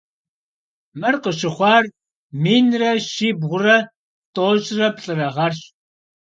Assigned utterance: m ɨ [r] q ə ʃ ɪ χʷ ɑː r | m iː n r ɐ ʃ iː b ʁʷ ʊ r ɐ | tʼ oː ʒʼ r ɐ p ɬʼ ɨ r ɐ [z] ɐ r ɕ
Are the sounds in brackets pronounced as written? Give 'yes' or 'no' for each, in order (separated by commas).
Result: yes, no